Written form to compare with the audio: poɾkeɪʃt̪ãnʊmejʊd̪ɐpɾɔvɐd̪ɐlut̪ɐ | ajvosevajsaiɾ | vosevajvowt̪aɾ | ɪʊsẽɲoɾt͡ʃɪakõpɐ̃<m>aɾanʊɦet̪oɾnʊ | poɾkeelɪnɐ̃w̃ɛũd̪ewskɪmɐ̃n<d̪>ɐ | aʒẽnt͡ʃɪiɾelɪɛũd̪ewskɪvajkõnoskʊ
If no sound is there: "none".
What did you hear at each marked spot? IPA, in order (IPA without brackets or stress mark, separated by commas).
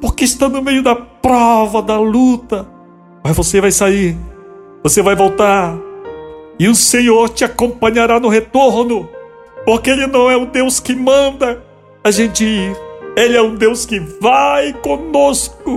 ɲ, d̪